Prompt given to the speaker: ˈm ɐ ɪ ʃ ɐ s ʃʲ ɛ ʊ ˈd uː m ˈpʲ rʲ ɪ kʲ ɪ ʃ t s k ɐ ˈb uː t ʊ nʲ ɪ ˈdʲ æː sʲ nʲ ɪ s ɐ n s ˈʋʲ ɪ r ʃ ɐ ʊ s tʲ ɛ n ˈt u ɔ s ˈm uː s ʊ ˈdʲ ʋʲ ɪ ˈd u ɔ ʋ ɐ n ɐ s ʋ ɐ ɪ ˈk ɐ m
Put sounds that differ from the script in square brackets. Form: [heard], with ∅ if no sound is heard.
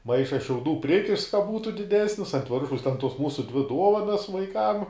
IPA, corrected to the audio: ˈm ɐ ɪ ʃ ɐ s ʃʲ ɛ ʊ ˈd uː [∅] ˈpʲ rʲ ɪ kʲ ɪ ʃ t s k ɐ ˈb uː t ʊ [dʲ] ɪ ˈdʲ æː sʲ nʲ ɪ s ɐ n [t] ˈʋʲ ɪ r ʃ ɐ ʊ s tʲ ɛ n ˈt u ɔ s ˈm uː s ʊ ˈdʲ ʋʲ ɪ ˈd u ɔ ʋ ɐ n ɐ s ʋ ɐ ɪ ˈk ɐ m